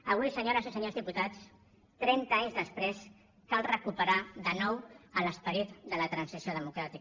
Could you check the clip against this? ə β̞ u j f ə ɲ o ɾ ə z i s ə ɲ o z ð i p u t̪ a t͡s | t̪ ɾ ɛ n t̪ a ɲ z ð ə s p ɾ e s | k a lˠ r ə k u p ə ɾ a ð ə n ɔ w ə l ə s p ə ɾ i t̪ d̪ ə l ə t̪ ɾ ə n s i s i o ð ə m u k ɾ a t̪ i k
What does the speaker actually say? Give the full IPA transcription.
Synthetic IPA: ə β̞ u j s ə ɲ o ɾ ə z i s ə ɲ o z ð i p u t̪ a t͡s | t̪ ɾ ɛ n t̪ a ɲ z ð ə s p ɾ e s | k a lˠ r ə k u p ə ɾ a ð ə n ɔ w ə l ə s p ə ɾ i t̪ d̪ ə l ə t̪ ɾ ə n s i s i o ð ə m u k ɾ a t̪ i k